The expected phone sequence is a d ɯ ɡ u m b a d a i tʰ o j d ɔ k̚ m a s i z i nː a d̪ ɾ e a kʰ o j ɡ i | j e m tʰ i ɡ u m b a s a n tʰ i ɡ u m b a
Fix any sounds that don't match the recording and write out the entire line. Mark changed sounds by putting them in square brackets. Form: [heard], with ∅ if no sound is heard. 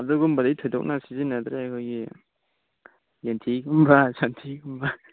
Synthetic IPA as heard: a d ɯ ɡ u m b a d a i tʰ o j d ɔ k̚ [n] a s i z i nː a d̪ ɾ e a kʰ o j ɡ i | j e [n] tʰ i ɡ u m b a s a n tʰ i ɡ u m b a